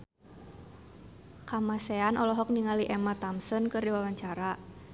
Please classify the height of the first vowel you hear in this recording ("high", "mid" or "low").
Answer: low